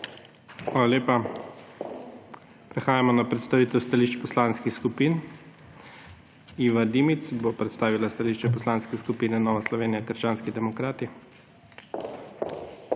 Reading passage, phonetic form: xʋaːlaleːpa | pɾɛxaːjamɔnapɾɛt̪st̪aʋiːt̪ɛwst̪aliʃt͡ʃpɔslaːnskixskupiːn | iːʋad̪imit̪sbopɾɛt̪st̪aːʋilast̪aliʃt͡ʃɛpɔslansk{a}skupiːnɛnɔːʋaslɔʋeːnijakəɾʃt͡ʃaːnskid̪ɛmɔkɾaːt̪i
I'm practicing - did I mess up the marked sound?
yes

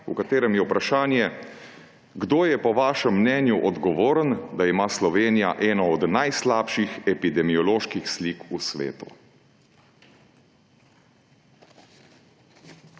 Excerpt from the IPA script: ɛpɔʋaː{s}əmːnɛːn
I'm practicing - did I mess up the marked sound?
yes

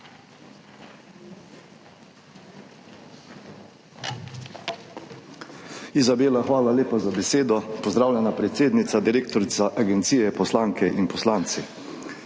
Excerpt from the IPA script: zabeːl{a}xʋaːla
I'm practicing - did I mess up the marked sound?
no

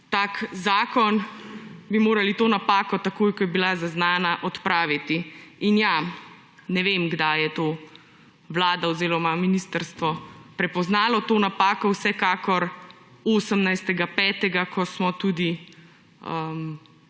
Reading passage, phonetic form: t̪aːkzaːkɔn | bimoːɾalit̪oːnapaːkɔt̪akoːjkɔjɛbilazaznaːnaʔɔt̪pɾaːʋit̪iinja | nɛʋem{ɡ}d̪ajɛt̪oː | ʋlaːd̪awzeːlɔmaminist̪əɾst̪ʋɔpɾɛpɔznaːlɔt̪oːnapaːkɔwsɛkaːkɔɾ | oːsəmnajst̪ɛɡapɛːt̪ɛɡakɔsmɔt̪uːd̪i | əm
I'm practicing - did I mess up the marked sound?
no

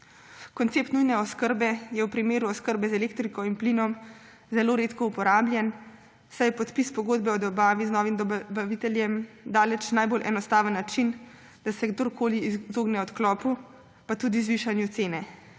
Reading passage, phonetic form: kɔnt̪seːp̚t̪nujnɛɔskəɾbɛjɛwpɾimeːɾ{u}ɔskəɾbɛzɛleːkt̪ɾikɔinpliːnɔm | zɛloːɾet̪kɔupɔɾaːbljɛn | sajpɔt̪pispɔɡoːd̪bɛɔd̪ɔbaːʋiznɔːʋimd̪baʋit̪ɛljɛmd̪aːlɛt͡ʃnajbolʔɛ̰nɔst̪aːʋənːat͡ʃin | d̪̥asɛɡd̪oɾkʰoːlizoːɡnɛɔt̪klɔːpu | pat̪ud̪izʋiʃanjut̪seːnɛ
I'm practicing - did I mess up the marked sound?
no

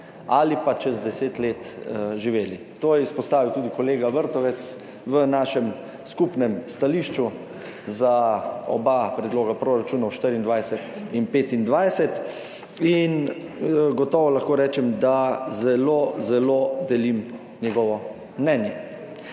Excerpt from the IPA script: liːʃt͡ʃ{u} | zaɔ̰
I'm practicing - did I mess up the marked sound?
no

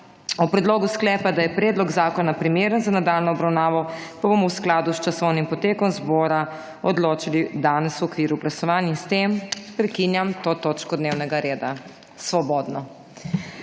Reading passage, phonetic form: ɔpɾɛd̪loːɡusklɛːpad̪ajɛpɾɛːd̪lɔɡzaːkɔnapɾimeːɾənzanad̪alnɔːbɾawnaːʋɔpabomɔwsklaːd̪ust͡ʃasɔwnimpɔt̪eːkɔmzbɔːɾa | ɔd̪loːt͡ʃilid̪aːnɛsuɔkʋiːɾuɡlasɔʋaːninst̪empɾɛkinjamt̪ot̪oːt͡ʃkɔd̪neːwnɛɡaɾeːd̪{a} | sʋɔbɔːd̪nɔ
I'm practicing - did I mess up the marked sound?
no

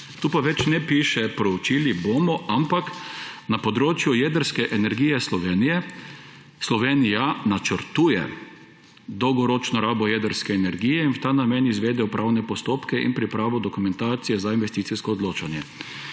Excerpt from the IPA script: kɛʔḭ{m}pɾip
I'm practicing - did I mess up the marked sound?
yes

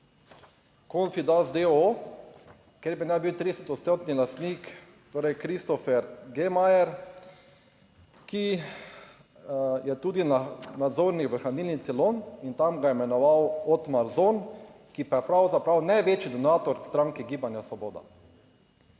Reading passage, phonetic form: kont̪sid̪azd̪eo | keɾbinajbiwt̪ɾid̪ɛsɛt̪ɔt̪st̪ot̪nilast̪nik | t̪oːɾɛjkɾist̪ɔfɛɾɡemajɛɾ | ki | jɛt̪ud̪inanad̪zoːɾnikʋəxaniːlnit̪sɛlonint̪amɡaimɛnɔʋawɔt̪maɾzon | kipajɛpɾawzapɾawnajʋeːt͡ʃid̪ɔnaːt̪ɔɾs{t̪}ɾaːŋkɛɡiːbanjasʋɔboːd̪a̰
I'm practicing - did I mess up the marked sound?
no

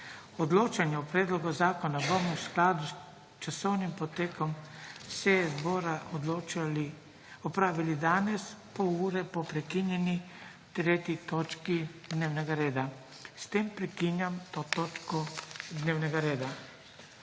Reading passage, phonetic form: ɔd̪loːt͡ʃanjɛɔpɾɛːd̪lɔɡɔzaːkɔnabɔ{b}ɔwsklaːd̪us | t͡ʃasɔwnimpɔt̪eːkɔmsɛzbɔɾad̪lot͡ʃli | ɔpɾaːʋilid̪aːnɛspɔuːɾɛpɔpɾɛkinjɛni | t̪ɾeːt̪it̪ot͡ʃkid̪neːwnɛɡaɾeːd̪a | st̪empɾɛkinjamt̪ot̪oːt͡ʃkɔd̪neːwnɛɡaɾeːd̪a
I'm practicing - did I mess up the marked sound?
yes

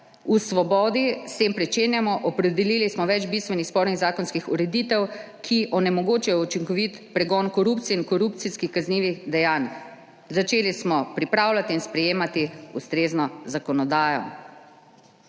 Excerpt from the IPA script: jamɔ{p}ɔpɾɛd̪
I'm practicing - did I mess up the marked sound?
yes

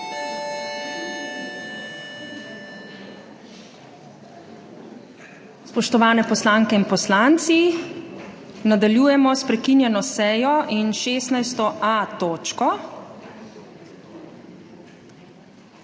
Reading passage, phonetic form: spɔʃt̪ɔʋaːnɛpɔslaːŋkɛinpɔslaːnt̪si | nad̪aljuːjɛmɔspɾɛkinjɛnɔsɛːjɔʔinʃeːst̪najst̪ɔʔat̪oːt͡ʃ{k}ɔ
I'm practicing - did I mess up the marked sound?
no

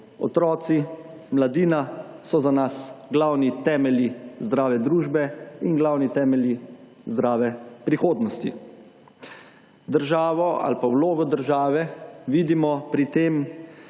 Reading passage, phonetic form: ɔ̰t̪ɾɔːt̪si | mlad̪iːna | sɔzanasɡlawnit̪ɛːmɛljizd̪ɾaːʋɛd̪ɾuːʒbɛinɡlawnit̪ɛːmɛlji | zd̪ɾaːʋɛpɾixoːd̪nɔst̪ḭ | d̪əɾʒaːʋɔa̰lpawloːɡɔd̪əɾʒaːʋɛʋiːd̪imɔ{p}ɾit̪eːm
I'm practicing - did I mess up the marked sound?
no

